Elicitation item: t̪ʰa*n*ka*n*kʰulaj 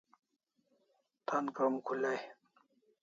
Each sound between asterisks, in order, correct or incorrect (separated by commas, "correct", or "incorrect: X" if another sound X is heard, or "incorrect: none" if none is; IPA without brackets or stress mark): correct, incorrect: m